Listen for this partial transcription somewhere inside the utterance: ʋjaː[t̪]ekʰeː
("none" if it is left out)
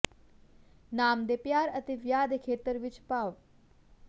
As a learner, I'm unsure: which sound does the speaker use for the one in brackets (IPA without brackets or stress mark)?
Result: d̪